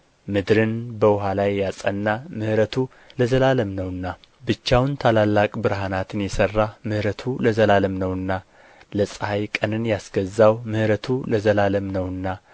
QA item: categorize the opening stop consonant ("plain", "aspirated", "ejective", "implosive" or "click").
plain